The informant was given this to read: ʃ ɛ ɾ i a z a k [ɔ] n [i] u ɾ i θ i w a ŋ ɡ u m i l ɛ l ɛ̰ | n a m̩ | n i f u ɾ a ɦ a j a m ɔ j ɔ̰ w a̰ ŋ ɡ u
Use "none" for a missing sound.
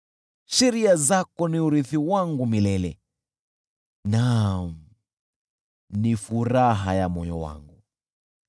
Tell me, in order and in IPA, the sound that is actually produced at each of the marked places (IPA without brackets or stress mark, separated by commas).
ɔ, i